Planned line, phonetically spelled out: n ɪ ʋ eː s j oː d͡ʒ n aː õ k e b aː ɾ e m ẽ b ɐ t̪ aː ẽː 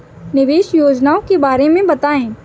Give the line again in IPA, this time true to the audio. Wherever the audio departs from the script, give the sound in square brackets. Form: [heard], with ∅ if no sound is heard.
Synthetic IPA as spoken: n ɪ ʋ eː [ʃ] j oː d͡ʒ n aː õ k e b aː ɾ e m ẽ b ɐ t̪ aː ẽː